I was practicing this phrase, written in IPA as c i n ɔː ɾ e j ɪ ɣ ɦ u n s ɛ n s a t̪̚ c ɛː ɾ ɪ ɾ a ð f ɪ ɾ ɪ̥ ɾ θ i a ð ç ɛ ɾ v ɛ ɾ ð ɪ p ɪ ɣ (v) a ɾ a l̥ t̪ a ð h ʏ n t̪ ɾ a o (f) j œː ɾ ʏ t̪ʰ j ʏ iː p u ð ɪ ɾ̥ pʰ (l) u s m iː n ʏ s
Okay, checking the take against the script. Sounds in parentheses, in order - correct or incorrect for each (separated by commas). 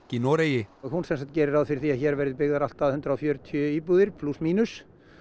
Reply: incorrect, correct, correct